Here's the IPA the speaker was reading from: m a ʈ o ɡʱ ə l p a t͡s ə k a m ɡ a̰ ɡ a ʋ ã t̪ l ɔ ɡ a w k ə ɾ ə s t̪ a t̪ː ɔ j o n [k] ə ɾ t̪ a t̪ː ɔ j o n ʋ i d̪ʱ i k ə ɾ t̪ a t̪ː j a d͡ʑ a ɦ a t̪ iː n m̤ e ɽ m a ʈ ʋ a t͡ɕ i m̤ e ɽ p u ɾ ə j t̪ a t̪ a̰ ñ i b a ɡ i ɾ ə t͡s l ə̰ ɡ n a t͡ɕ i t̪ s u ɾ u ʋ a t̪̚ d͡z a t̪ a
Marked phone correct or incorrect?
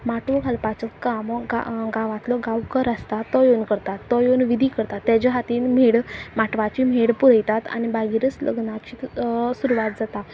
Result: correct